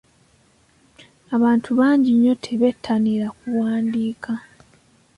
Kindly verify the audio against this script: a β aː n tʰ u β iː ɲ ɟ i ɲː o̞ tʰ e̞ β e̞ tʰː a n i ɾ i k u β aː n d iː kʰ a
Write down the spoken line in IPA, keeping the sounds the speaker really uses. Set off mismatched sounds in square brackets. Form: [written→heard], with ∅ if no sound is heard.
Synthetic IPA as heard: a β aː n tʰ u β [iː→aː] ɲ ɟ i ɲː o̞ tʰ e̞ β e̞ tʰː a n i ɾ [i→a] k u [β→w] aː n d iː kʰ a